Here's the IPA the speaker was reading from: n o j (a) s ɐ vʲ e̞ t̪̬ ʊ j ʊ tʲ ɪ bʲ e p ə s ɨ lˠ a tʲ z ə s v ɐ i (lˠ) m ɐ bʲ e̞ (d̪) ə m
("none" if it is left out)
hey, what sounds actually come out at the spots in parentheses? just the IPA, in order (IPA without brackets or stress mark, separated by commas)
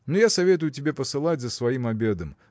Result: a, none, d̪